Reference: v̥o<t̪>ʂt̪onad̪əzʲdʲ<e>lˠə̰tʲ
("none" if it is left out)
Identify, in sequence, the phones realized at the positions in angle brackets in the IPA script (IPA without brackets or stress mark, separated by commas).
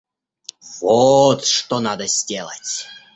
t̪, e